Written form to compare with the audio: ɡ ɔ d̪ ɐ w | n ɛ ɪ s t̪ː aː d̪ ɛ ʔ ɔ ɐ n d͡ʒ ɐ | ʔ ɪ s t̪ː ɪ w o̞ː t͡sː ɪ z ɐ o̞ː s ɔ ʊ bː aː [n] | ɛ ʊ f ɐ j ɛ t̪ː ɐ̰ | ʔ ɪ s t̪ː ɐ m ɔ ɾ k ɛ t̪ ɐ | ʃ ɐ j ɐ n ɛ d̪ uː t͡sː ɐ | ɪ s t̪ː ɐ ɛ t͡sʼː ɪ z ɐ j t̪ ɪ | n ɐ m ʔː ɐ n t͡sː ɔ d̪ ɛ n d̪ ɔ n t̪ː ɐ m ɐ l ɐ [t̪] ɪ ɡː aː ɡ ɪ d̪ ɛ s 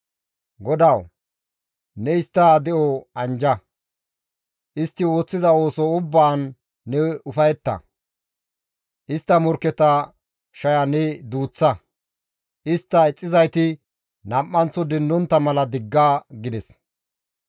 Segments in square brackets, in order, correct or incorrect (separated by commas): incorrect, incorrect